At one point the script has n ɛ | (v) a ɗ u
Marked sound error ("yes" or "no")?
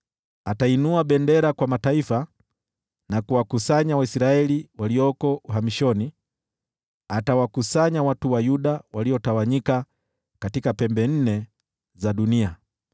yes